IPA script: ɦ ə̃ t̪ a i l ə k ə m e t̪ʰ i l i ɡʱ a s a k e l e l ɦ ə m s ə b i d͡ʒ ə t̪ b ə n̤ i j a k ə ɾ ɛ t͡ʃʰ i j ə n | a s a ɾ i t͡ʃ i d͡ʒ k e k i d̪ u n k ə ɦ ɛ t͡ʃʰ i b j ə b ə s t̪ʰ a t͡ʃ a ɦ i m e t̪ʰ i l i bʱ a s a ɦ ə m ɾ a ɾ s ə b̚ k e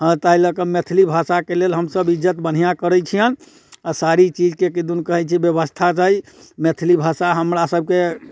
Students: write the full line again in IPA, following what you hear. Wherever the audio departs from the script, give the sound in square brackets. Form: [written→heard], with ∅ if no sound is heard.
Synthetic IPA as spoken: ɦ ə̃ t̪ a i l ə k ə m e t̪ʰ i l i [ɡʱ→bʱ] a s a k e l e l ɦ ə m s ə b i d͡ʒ ə t̪ b ə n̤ i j a k ə ɾ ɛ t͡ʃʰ i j ə n | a s a ɾ i t͡ʃ i d͡ʒ k e k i d̪ u n k ə ɦ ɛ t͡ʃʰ i b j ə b ə s t̪ʰ a t͡ʃ a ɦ i m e t̪ʰ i l i bʱ a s a ɦ ə m ɾ a [ɾ→∅] s ə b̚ k e